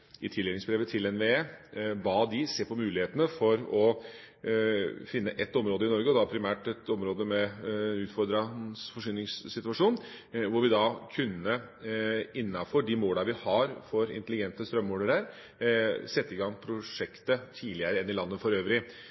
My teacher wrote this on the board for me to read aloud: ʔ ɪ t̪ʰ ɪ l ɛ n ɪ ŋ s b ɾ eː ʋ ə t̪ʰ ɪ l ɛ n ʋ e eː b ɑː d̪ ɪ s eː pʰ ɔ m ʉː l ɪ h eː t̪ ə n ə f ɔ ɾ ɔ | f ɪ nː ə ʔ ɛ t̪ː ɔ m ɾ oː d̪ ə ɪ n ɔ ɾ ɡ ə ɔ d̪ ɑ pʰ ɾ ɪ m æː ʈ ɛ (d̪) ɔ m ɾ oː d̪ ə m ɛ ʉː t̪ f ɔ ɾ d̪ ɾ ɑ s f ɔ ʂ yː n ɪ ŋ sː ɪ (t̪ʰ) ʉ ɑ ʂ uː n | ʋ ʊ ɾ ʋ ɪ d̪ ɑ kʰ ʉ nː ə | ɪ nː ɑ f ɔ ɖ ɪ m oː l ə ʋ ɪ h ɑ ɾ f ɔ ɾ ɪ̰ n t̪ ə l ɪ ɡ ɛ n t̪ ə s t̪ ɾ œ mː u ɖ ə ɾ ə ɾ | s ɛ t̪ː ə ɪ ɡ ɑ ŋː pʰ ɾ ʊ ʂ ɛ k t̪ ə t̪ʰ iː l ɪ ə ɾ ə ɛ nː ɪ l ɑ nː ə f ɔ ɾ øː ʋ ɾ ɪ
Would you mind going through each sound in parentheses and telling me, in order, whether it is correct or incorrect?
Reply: incorrect: t̪, incorrect: t̪

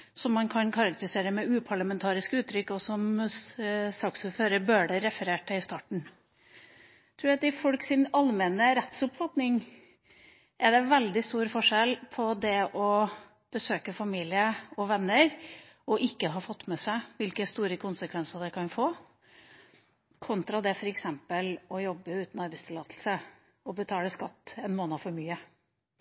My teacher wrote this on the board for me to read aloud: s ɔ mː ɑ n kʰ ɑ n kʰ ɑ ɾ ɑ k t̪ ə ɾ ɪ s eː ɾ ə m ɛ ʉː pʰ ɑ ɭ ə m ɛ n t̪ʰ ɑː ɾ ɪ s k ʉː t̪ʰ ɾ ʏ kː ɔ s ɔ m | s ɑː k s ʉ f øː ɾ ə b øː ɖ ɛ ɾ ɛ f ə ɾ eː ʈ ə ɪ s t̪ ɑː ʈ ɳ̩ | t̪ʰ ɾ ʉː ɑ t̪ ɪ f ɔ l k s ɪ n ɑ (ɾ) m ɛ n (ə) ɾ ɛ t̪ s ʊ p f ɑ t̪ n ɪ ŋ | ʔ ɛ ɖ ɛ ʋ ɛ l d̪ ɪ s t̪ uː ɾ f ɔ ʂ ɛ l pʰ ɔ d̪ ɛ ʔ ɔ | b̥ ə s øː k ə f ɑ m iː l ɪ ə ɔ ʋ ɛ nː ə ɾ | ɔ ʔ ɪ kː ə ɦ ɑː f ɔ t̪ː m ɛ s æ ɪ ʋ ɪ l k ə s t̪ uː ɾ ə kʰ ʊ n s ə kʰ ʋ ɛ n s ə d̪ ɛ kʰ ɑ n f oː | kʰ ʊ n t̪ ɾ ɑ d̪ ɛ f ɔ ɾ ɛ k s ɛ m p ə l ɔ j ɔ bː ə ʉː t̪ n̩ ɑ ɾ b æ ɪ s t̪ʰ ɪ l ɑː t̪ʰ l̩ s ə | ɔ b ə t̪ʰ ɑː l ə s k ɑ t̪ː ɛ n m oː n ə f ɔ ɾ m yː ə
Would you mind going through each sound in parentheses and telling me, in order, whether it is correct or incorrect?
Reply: incorrect: l, correct

